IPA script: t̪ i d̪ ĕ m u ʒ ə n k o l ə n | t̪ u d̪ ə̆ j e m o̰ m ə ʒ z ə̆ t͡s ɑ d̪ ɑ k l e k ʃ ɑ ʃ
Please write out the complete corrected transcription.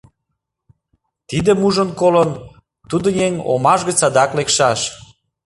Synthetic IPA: t̪ i d̪ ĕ m u ʒ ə n k o l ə n | t̪ u d̪ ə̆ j e ŋ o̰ m ɑ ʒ ɣ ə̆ t͡s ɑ d̪ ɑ k l e k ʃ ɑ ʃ